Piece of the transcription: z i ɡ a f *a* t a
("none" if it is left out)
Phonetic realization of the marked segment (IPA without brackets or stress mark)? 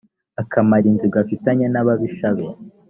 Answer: i